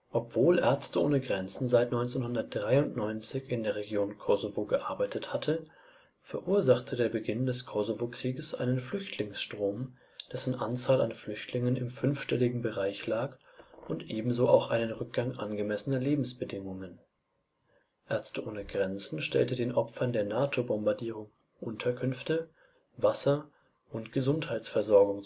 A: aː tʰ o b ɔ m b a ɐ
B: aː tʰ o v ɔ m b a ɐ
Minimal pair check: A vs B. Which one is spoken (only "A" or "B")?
A